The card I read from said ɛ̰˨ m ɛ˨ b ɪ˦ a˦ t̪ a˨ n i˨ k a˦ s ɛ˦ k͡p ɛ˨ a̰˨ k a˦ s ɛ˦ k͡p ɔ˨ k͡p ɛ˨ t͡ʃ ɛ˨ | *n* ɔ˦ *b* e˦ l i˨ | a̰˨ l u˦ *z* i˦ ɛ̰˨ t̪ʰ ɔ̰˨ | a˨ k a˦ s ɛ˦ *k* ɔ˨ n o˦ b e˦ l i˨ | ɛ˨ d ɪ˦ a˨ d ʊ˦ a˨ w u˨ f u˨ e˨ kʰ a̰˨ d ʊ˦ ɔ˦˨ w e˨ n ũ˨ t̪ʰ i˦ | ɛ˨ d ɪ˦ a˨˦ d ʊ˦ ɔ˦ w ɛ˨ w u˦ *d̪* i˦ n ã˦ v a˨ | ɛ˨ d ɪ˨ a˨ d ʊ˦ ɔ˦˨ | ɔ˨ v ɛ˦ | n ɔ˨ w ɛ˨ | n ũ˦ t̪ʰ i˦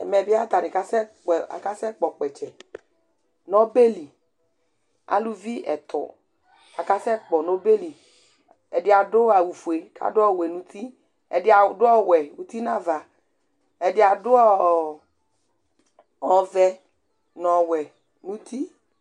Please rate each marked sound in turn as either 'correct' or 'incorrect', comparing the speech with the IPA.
correct, correct, incorrect: v, incorrect: k͡p, incorrect: t̪

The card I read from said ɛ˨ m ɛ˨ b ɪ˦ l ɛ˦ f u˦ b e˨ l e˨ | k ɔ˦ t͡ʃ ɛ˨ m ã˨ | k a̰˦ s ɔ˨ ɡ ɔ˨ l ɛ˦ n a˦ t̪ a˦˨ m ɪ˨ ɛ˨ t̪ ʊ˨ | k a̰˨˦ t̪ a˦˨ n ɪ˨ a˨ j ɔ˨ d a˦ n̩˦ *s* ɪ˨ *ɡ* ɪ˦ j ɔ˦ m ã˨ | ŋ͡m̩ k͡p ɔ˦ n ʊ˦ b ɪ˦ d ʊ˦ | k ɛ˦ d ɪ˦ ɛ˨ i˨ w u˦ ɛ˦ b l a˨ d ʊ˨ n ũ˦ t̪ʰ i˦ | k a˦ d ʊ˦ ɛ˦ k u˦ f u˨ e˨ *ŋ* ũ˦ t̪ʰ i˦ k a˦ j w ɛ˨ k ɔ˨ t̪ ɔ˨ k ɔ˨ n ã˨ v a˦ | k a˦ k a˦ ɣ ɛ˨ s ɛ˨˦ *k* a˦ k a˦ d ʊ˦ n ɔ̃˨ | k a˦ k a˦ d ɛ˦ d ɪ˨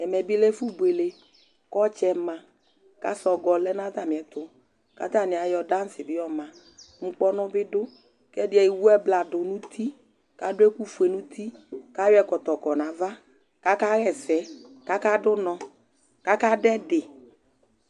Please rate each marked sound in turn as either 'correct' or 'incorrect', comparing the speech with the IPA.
correct, incorrect: b, incorrect: n, correct

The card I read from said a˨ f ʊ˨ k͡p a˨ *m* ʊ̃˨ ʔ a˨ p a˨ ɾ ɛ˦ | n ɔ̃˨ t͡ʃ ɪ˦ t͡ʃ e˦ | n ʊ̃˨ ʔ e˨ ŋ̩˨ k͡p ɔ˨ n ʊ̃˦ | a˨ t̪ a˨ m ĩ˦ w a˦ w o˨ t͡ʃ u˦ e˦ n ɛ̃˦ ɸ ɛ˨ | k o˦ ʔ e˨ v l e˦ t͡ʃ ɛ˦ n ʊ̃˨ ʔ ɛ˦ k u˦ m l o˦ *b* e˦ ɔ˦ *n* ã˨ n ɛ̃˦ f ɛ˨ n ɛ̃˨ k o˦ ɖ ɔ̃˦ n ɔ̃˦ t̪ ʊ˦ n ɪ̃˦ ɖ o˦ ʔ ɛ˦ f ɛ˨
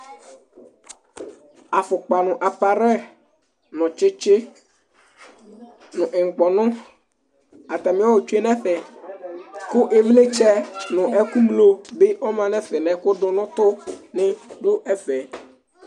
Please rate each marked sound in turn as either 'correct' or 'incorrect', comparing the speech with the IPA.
incorrect: n, correct, incorrect: m

